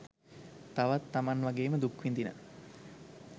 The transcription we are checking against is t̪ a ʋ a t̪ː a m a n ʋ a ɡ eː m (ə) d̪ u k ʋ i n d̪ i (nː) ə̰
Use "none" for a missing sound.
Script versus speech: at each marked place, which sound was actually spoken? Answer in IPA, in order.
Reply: ə, n

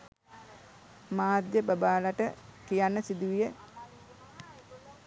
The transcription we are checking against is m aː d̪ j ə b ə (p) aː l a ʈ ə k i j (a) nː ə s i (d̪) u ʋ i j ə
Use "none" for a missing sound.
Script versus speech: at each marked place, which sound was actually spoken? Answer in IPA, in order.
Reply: b, a, d̪

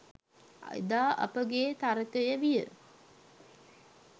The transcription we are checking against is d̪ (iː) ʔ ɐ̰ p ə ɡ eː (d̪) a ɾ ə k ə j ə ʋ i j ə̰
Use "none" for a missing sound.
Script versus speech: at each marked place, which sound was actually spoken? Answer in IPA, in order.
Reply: aː, t̪

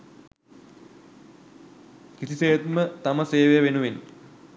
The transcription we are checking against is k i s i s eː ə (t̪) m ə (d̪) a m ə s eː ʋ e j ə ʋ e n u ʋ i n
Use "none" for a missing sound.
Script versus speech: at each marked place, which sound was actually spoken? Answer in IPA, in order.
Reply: t̪, t̪

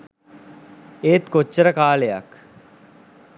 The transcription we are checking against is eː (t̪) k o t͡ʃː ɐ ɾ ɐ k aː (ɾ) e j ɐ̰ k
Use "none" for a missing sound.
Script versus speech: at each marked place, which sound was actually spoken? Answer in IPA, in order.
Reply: t̪, l

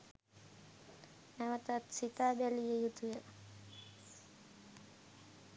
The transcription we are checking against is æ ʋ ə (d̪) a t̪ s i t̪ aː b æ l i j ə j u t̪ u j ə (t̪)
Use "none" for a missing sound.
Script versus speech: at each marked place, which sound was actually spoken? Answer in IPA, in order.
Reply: t̪, none

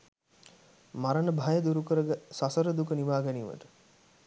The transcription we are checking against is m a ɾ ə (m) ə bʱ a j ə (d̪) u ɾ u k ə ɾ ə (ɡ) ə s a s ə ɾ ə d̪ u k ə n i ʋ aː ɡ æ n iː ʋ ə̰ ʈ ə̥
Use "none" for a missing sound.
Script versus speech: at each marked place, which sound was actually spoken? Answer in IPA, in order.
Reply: n, d̪, ɡ

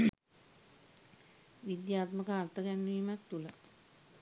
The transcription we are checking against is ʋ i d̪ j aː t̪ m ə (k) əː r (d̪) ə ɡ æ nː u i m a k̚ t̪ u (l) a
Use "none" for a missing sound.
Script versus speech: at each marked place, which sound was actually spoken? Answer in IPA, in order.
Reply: k, t̪, l

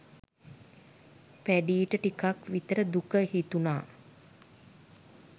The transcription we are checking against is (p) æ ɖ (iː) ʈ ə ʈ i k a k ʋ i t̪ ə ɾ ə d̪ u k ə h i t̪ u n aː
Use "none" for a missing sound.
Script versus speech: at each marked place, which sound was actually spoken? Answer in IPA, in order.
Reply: p, iː

